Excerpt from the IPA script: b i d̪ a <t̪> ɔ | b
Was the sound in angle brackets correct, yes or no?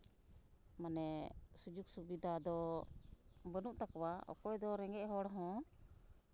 no